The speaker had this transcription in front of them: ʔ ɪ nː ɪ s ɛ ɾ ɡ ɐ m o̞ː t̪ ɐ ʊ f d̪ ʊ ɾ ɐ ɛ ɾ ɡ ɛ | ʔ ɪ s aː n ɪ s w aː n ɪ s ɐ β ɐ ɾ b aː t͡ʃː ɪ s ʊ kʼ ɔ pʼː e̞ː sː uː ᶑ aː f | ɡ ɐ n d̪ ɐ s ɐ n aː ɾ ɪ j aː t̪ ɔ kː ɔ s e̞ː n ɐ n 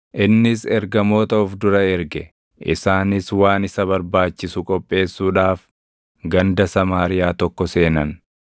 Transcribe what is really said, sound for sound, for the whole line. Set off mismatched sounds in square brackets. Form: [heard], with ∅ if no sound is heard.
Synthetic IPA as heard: ʔ ɪ nː ɪ s ɛ ɾ ɡ ɐ m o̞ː t̪ ɐ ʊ f d̪ ʊ ɾ ɐ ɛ ɾ ɡ ɛ | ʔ ɪ s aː n ɪ s w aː n ɪ s ɐ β ɐ ɾ b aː t͡ʃː ɪ s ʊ kʼ ɔ pʼː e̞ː sː uː ᶑ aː f | ɡ ɐ n d̪ ɐ s ɐ [m] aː ɾ ɪ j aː t̪ ɔ kː ɔ s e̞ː n ɐ n